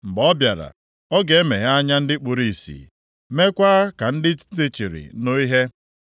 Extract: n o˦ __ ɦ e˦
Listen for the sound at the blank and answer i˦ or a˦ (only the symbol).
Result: i˦